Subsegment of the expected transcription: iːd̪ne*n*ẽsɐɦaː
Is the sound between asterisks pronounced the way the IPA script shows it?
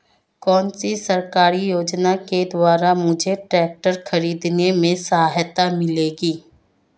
no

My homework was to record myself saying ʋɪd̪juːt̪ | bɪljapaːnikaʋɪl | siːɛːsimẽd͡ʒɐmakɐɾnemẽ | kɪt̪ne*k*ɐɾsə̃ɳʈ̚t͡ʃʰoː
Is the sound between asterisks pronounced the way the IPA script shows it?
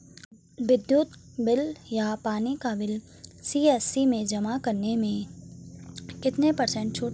no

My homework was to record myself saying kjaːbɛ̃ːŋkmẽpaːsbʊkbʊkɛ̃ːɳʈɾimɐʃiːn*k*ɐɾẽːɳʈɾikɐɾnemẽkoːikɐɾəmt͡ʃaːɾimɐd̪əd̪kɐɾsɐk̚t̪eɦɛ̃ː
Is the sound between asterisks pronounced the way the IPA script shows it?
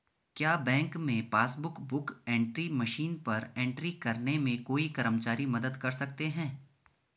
no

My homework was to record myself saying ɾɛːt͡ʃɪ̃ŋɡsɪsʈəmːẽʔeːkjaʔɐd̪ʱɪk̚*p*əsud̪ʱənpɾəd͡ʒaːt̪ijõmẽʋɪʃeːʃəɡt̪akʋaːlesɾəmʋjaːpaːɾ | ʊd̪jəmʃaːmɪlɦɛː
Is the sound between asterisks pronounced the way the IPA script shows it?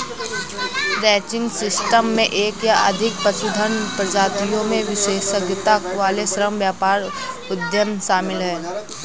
yes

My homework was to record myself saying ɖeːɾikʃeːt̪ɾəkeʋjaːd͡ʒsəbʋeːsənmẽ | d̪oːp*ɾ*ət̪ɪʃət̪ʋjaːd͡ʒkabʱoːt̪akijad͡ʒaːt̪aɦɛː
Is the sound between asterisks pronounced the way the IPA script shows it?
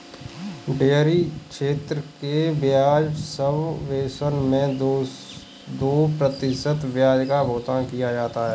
yes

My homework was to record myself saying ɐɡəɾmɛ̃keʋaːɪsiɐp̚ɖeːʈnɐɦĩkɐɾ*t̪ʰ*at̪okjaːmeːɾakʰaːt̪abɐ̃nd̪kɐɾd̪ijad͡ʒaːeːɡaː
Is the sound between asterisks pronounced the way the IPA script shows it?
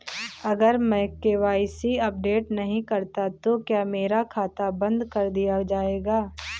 no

